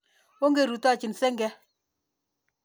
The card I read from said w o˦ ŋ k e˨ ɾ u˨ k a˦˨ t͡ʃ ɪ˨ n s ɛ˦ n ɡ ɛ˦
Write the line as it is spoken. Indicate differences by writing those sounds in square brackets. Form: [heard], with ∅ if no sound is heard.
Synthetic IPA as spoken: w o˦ ŋ [ɡ] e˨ ɾ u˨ [t] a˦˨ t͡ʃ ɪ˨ n s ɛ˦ [ŋ] ɡ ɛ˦